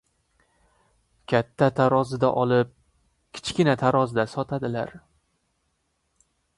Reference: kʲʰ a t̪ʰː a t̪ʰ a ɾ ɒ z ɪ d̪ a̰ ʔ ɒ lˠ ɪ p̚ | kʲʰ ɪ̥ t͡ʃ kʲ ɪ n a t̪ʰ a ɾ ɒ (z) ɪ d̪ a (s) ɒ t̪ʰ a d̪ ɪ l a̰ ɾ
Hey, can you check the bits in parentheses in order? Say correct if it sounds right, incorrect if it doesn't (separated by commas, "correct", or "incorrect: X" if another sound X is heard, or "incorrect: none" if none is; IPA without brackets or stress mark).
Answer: correct, correct